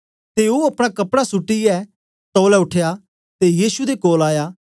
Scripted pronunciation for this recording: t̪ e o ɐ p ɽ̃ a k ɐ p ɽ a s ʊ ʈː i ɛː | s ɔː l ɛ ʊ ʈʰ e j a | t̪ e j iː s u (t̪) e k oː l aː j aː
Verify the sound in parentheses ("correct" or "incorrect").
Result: incorrect